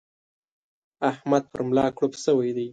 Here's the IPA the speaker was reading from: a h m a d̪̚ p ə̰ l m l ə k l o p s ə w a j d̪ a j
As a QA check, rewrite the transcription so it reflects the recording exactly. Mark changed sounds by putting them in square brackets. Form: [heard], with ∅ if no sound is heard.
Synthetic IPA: a h m a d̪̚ p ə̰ [ɾ] m l [ɑ] k [ɽ] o p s ə w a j d̪ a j